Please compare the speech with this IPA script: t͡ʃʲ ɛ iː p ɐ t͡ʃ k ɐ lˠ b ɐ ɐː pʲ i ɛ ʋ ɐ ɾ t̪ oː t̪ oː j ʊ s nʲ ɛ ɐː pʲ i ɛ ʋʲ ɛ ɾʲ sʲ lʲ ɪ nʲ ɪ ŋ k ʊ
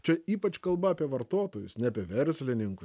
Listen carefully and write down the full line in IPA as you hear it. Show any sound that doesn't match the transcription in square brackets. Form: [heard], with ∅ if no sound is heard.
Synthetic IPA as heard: t͡ʃʲ ɛ iː p ɐ t͡ʃ k ɐ lˠ b ɐ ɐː pʲ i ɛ ʋ ɐ ɾ t̪ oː t̪ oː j ʊ s nʲ ɛ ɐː pʲ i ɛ ʋʲ ɛ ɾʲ sʲ lʲ ɪ nʲ ɪ ŋ k ʊ